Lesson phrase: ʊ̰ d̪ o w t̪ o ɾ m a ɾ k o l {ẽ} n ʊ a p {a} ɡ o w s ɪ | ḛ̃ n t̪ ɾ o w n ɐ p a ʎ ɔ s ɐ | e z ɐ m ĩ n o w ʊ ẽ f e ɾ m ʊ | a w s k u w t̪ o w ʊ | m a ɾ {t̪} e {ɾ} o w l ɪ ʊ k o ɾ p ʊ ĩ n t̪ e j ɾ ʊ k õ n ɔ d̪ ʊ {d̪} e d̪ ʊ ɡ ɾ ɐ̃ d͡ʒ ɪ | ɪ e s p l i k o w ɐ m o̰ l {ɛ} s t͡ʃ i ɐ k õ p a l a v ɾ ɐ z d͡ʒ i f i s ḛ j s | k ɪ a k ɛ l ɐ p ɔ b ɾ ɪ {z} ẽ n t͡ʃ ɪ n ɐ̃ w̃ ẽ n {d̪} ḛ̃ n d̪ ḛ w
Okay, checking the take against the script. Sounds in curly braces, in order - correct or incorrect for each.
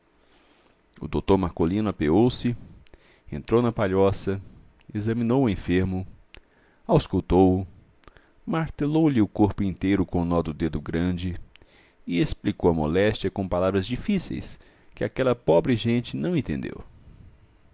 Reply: incorrect: ĩ, incorrect: e, correct, incorrect: l, correct, correct, incorrect: ʒ, incorrect: t̪

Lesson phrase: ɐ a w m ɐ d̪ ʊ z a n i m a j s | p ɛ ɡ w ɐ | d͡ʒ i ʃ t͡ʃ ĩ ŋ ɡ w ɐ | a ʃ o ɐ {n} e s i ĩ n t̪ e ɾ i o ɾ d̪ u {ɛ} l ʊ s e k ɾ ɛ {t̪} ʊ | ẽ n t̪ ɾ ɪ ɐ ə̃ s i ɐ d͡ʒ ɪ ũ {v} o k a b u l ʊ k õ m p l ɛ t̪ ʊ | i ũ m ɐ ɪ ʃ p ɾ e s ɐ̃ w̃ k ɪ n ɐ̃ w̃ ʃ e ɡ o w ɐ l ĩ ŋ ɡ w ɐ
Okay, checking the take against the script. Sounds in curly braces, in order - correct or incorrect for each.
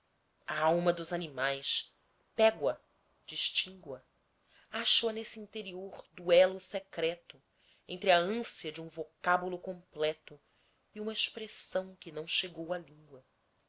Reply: correct, correct, correct, correct

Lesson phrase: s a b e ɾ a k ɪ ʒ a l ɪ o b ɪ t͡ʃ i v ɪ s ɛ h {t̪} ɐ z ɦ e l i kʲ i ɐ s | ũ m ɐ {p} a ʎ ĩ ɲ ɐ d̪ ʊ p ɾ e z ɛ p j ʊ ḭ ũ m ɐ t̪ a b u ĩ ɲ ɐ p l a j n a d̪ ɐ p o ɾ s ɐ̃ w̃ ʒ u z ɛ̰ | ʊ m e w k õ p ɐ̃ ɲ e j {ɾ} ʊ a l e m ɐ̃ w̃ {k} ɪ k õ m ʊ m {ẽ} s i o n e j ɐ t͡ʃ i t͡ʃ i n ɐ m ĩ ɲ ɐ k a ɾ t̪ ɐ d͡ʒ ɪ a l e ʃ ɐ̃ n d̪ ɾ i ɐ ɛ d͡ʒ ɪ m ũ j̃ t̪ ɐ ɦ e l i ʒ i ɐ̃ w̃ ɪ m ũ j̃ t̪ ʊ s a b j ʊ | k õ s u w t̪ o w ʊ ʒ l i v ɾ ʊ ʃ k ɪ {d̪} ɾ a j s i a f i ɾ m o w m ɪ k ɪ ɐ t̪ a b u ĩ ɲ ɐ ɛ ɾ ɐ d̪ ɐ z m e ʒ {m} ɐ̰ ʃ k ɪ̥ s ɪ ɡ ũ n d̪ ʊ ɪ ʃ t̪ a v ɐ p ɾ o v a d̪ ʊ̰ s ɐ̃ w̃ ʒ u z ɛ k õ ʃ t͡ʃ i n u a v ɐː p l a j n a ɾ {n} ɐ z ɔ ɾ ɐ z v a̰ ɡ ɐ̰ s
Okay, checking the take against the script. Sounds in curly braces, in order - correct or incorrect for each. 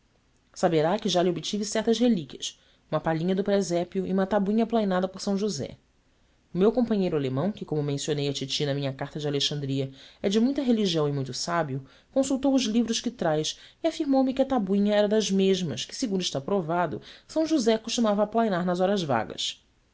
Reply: correct, correct, correct, correct, correct, incorrect: t̪, correct, correct

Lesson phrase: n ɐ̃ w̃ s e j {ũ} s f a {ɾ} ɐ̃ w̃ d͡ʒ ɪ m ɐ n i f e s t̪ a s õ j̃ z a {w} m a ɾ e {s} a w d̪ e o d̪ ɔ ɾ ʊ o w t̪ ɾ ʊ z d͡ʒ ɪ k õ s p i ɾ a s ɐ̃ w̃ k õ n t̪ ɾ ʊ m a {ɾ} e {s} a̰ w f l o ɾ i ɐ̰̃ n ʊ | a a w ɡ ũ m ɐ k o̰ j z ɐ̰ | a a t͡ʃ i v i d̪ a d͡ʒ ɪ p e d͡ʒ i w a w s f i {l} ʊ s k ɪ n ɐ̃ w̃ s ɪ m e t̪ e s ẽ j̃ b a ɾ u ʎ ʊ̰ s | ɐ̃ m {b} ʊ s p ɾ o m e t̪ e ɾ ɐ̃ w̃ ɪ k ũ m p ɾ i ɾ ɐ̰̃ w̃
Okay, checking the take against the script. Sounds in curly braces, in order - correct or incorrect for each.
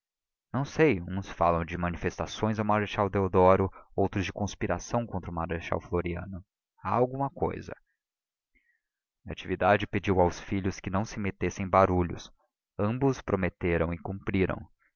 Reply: correct, incorrect: l, correct, incorrect: ʃ, correct, incorrect: ʃ, incorrect: ʎ, correct

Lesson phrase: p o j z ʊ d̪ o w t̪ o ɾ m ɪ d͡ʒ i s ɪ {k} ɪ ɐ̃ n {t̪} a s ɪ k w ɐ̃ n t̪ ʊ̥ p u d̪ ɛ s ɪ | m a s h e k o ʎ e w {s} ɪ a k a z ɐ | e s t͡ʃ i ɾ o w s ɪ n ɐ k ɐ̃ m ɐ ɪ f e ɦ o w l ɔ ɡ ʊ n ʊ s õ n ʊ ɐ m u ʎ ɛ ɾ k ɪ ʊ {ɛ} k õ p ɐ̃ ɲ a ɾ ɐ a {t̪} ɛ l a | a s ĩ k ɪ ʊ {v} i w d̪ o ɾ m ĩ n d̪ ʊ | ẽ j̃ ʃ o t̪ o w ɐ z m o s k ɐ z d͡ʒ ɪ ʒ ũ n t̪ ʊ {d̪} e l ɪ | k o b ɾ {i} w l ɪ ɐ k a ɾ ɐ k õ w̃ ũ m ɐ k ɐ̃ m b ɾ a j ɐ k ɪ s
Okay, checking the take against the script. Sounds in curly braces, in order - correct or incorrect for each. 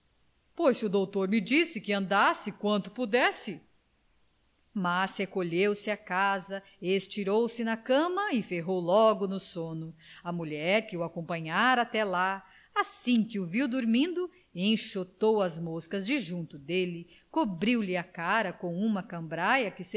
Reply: correct, incorrect: d̪, correct, incorrect: a, correct, correct, correct, correct

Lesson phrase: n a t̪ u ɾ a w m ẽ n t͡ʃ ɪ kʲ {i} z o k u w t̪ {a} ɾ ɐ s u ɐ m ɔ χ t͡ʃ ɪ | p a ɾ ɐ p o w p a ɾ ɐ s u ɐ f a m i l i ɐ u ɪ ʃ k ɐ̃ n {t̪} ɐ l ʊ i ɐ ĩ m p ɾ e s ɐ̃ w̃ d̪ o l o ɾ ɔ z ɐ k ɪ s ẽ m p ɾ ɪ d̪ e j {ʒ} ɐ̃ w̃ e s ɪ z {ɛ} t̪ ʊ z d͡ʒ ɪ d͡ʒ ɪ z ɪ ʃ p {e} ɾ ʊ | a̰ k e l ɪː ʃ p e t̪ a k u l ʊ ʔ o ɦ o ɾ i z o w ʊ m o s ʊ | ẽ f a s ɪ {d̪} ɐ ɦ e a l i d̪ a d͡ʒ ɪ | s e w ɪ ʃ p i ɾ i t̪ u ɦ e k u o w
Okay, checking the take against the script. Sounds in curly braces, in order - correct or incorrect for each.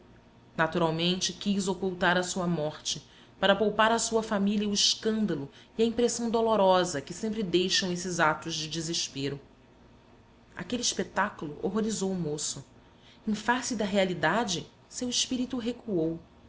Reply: correct, correct, incorrect: d̪, incorrect: ʃ, incorrect: a, correct, correct

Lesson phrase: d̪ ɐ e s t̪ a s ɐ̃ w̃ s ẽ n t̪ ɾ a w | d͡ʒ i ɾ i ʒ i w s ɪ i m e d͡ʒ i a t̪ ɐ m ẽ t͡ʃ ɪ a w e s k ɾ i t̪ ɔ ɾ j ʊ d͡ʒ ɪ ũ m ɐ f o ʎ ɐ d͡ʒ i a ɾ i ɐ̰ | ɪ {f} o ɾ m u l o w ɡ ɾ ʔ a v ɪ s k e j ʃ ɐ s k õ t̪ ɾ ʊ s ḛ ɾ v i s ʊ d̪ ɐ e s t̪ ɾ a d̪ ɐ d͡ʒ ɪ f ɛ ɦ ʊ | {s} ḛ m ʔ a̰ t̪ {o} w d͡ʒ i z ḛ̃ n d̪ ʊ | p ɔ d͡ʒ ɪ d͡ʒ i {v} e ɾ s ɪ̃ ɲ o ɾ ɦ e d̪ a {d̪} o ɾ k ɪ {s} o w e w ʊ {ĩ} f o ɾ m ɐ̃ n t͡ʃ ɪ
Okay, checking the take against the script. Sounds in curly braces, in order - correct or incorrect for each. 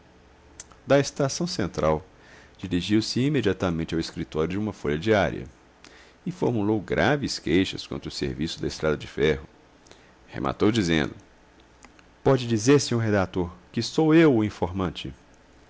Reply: correct, incorrect: h, correct, incorrect: z, incorrect: t̪, correct, correct

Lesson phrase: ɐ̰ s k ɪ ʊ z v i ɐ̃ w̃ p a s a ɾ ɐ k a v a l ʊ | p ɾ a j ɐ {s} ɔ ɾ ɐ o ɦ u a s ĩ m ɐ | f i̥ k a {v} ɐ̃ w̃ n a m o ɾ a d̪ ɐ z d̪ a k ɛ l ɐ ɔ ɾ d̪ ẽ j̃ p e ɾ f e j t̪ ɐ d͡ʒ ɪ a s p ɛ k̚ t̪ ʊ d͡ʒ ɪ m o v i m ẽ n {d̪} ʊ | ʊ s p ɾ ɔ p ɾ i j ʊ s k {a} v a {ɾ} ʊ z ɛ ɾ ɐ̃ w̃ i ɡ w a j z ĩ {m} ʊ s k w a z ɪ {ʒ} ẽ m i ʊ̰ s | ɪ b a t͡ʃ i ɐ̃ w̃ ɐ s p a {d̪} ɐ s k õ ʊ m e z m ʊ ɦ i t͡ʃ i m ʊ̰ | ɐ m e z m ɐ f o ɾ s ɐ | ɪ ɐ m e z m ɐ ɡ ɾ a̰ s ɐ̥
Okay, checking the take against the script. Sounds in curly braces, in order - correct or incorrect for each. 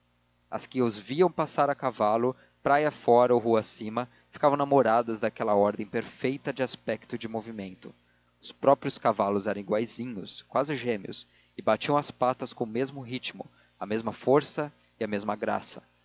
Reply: incorrect: f, correct, incorrect: t̪, correct, incorrect: l, incorrect: ɲ, correct, incorrect: t̪

